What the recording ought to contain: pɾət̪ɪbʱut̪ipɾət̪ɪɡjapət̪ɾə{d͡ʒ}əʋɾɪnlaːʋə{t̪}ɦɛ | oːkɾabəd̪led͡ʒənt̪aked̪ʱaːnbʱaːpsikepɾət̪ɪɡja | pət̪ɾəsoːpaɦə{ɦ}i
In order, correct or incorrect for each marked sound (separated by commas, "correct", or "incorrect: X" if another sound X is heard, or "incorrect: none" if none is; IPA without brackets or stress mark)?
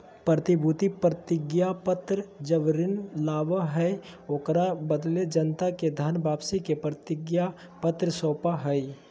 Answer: correct, incorrect: none, incorrect: none